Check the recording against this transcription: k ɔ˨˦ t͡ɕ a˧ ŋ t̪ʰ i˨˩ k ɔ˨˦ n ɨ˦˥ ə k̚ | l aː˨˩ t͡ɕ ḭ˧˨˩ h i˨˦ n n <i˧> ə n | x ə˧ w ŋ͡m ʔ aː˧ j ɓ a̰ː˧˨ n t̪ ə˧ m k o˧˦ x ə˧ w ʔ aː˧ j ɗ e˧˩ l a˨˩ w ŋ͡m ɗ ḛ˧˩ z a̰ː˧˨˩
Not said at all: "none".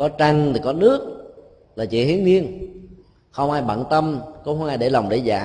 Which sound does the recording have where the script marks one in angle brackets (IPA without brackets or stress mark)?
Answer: i˧